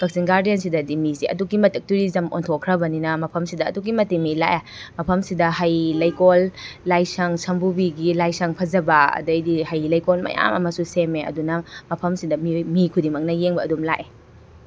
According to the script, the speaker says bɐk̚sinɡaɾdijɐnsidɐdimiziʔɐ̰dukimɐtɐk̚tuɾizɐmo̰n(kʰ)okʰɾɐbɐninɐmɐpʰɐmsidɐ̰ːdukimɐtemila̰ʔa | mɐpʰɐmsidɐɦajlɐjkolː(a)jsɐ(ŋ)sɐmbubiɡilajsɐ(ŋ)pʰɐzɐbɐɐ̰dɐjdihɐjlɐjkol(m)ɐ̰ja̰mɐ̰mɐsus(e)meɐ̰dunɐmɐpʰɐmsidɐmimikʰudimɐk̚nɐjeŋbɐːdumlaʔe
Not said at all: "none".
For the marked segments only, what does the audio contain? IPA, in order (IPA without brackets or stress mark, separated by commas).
tʰ, a, ŋ, ŋ, m, e